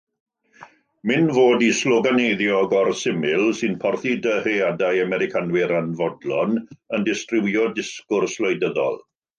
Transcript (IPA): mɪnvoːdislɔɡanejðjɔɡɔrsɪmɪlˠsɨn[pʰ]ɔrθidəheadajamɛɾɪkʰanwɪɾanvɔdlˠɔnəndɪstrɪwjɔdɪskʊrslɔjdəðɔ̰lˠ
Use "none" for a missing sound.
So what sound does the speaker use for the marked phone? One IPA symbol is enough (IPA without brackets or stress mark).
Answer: pʰ